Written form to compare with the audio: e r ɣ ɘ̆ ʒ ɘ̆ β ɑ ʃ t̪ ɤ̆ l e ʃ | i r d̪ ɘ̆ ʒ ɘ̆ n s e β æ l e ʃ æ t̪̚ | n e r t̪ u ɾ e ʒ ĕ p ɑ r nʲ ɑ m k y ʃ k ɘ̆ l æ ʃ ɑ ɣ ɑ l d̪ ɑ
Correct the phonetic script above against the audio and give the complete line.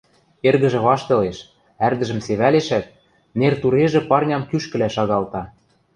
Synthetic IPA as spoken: e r ɣ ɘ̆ ʒ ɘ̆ β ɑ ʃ t̪ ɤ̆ l e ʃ | æ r d̪ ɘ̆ ʒ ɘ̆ m s e β æ l e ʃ æ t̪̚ | n e r t̪ u ɾ e ʒ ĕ p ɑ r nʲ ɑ m k y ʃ k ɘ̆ l æ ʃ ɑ ɣ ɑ l t̪ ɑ